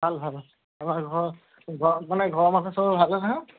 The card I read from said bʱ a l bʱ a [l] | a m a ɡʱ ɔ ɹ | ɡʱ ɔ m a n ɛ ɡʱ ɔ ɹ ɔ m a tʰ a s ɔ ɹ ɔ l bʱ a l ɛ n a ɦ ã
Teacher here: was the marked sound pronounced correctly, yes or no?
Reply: yes